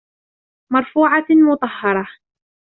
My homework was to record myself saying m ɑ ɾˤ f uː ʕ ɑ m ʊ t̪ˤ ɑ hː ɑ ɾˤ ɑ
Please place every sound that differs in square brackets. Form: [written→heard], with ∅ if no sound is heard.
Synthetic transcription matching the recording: m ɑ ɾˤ f uː ʕ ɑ m ʊ t̪ˤ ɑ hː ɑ ɾˤ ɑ